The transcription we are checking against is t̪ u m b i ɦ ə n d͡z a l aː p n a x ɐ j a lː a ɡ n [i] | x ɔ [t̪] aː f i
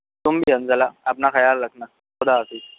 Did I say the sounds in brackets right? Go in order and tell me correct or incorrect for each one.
incorrect, incorrect

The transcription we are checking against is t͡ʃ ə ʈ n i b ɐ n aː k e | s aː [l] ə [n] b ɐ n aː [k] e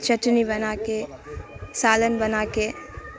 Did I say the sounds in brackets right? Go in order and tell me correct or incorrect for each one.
correct, correct, correct

